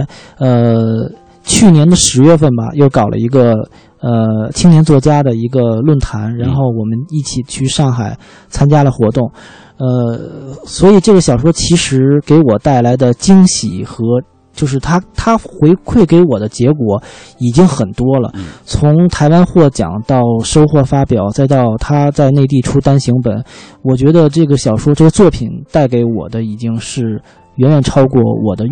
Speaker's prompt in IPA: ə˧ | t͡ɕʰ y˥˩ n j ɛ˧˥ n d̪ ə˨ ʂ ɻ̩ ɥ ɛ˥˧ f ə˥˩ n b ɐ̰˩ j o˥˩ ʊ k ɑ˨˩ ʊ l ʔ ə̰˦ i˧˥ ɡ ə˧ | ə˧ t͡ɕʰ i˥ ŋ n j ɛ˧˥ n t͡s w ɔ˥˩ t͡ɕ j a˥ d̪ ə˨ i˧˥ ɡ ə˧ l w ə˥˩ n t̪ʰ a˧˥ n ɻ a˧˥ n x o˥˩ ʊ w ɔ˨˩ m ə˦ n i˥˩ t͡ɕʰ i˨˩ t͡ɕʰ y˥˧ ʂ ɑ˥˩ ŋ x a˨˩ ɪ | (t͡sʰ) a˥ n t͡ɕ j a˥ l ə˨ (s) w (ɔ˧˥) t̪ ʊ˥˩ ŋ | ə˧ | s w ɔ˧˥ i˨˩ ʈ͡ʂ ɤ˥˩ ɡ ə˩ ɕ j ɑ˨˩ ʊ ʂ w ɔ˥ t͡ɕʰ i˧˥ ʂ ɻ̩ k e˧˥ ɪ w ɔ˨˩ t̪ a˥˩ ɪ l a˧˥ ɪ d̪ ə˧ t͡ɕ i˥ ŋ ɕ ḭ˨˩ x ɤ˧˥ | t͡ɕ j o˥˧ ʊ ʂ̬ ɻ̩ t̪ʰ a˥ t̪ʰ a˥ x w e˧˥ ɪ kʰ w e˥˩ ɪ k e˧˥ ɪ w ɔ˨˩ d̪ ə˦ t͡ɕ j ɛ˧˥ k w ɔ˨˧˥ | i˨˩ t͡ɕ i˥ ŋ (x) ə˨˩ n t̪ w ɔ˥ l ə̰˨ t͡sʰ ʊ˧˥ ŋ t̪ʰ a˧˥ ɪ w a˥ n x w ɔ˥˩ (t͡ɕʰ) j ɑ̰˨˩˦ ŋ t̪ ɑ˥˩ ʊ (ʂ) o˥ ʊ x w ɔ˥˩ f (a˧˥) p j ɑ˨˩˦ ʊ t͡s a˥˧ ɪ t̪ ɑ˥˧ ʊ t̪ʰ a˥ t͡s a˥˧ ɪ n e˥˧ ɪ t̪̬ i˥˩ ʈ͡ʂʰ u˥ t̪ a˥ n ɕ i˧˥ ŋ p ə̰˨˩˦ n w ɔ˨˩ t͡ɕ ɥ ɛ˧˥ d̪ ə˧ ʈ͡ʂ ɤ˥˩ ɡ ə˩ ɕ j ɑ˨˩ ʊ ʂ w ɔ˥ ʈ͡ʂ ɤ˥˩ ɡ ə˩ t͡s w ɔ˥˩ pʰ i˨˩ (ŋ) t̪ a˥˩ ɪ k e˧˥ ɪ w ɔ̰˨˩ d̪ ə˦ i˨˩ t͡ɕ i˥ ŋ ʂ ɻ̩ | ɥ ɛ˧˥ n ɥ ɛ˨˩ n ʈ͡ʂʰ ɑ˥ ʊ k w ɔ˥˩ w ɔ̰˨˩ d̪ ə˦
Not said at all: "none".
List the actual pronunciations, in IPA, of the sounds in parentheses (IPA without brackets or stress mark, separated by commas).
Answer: t͡sʰ, x, ɔ˧˥, x, t͡ɕ, ʂ, a˥, n